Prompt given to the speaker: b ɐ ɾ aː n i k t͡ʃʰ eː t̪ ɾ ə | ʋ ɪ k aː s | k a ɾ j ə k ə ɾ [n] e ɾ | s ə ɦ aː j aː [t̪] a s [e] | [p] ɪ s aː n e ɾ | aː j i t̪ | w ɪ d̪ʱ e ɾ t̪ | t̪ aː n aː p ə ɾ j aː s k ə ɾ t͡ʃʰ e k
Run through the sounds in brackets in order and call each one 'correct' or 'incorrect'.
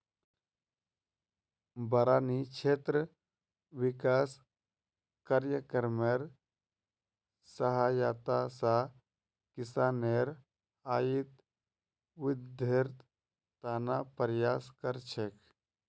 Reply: incorrect: m, correct, incorrect: a, incorrect: k

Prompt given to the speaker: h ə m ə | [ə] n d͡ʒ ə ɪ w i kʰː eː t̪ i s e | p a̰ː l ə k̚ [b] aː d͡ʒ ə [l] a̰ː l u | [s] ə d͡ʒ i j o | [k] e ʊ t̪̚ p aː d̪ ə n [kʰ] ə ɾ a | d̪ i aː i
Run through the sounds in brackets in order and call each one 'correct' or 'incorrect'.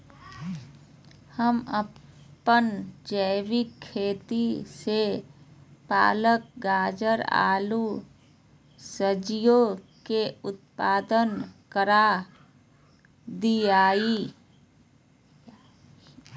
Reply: correct, incorrect: ɡ, incorrect: ɾ, correct, correct, incorrect: k

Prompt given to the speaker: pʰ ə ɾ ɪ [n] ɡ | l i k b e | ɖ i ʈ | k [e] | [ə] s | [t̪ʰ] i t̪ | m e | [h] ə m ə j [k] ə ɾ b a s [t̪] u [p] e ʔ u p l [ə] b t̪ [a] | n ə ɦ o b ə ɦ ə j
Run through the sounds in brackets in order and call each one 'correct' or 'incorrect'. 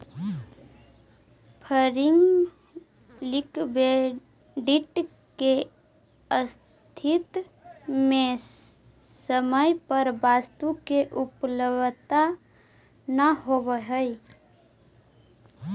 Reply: incorrect: ŋ, correct, correct, correct, incorrect: s, incorrect: p, correct, incorrect: k, correct, correct

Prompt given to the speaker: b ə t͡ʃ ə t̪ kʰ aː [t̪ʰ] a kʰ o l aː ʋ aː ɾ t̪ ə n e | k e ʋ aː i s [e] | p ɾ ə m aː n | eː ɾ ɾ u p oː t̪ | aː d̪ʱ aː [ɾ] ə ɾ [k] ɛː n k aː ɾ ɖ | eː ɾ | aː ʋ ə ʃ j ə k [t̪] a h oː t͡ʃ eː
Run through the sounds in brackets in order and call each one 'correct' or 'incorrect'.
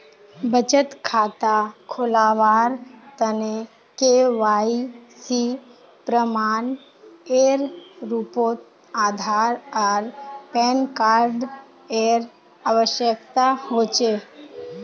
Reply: incorrect: t̪, incorrect: i, correct, incorrect: p, correct

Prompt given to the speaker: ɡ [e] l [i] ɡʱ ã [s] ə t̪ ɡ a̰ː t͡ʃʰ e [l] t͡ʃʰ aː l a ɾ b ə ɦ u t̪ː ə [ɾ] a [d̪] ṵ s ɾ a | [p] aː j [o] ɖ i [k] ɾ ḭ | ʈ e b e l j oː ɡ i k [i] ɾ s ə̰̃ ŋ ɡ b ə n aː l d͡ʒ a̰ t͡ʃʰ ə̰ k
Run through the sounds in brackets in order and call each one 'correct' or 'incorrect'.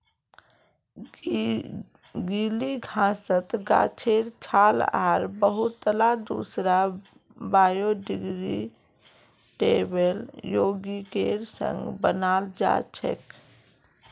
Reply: incorrect: i, correct, correct, incorrect: ɾ, incorrect: l, correct, incorrect: b, correct, incorrect: ɡ, incorrect: e

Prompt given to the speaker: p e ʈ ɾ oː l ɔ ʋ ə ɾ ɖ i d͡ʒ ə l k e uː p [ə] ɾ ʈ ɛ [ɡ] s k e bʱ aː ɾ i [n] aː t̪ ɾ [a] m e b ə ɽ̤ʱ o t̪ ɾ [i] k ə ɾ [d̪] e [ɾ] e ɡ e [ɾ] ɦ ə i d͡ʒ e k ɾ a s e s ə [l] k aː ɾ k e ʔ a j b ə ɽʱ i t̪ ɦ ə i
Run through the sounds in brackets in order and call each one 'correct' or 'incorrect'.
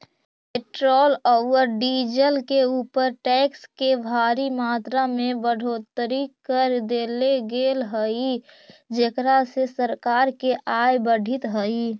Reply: correct, incorrect: k, incorrect: m, correct, correct, correct, incorrect: l, incorrect: l, incorrect: ɾ

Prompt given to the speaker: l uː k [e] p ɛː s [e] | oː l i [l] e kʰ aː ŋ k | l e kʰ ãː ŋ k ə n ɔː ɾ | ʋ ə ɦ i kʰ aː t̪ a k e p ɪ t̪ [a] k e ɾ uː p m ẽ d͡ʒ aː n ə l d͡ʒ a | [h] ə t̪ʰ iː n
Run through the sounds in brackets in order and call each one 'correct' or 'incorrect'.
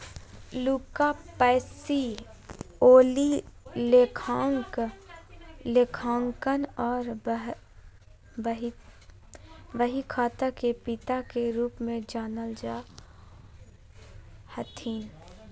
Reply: incorrect: a, incorrect: i, correct, correct, correct

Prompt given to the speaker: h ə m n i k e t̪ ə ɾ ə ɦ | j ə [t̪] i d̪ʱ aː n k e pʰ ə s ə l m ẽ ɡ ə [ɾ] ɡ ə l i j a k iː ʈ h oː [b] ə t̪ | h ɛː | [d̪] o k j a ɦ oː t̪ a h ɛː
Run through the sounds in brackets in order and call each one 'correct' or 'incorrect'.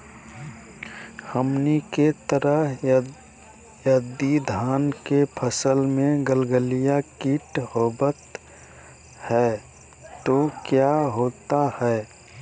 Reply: incorrect: d̪, incorrect: l, correct, incorrect: t̪

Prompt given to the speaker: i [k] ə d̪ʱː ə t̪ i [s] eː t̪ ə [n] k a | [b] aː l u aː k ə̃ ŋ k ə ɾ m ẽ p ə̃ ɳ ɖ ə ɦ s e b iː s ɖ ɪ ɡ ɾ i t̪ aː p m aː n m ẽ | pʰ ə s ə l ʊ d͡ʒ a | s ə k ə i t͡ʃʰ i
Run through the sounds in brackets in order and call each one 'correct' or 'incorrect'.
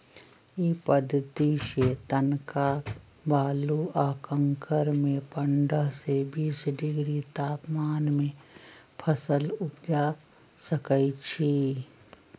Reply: incorrect: p, incorrect: ʃ, correct, correct

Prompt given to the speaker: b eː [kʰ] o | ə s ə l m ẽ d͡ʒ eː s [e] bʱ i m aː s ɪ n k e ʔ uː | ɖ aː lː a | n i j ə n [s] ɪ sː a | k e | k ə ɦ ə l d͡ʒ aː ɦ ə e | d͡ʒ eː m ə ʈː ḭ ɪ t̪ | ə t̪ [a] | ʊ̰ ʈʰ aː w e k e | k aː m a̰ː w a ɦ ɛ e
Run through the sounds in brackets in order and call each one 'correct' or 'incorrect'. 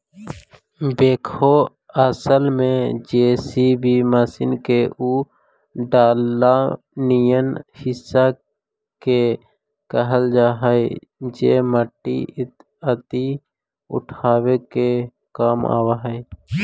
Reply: correct, incorrect: i, incorrect: h, incorrect: i

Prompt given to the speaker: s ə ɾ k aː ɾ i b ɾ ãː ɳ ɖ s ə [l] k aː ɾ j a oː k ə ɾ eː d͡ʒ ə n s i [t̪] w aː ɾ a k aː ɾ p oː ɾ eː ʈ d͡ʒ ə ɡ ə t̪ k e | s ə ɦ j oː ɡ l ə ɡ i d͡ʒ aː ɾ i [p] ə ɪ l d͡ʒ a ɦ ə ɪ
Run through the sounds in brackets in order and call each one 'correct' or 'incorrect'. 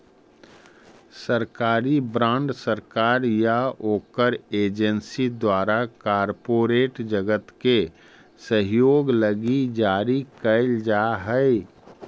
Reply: incorrect: ɾ, incorrect: d̪, incorrect: k

